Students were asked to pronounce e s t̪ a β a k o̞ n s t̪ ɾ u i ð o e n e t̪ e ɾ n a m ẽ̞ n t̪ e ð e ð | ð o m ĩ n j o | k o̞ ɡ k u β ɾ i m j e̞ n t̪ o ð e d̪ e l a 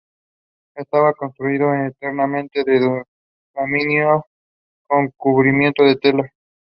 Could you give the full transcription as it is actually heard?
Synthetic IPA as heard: e s t̪ a β a k o̞ n s t̪ ɾ u i ð o e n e t̪ e ɾ n a m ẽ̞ n t̪ e ð e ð | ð o m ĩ n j o | k o̞ ŋ k u β ɾ i m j e̞ n t̪ o ð e t̪ e l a